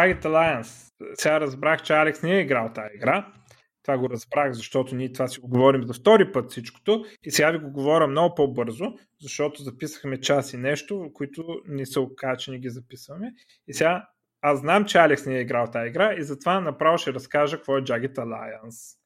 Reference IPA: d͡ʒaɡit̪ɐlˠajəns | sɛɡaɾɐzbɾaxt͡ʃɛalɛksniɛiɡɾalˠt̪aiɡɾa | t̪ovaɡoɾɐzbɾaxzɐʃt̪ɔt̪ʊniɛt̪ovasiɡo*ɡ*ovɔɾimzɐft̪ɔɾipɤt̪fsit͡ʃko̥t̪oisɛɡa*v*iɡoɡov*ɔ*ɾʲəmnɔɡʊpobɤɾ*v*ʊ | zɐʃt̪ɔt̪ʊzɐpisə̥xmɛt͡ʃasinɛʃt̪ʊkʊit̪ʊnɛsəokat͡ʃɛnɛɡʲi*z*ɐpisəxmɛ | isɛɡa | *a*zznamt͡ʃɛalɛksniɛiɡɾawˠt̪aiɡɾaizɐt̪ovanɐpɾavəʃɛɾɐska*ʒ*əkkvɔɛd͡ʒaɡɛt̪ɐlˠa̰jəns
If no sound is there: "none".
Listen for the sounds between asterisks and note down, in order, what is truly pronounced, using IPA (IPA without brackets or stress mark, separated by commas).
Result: ɡ, v, ɔ, z, z, a, ʒ